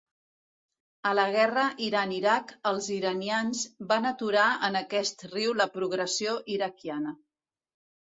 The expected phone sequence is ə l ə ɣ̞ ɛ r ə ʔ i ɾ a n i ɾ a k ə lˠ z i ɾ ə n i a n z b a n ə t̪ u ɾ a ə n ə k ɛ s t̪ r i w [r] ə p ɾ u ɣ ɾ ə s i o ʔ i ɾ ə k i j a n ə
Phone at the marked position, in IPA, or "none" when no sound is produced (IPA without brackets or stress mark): l